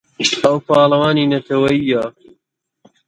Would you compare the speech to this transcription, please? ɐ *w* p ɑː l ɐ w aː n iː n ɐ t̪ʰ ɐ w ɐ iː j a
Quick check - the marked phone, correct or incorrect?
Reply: correct